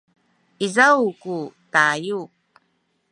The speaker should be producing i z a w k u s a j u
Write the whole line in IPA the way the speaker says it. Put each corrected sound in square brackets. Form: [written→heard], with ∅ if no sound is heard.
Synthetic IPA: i z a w k u [s→t] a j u